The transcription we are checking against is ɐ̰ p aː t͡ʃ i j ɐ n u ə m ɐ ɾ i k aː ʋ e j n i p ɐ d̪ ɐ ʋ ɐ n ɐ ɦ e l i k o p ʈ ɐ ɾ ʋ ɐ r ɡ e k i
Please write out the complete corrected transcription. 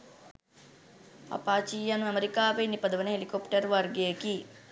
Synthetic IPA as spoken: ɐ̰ p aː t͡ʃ i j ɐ n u ɐ m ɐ ɾ i k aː ʋ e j n i p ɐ d̪ ɐ ʋ ɐ n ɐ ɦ e l i k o p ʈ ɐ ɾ ʋ ɐ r ɡ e k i

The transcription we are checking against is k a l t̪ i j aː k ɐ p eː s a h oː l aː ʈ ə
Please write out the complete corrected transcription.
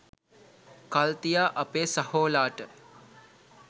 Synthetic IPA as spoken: k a l t̪ i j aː ʔ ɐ p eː s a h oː l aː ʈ ə

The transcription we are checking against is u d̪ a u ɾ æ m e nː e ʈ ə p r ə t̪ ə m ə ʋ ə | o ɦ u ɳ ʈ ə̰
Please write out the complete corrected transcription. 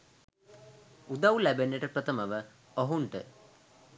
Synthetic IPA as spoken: u d̪ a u l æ b e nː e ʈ ə p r ə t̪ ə m ə ʋ ə | o ɦ u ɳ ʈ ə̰

